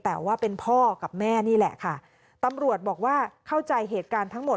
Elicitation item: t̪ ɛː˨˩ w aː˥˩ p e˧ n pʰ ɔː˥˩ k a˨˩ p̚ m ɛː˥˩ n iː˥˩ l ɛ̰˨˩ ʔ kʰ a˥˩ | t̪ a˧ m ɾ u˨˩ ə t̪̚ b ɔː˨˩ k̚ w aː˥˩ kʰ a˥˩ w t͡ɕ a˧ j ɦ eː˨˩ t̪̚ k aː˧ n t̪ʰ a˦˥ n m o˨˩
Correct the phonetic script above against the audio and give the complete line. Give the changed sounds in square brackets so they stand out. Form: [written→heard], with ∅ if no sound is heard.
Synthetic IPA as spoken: t̪ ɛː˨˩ w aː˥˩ p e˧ n pʰ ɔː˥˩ k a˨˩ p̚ m ɛː˥˩ n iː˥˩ l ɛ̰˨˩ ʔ kʰ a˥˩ | t̪ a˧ m ɾ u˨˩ ə t̪̚ b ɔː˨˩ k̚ w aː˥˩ kʰ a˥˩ w t͡ɕ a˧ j ɦ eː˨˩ t̪̚ k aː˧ n t̪ʰ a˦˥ [n→ŋ] m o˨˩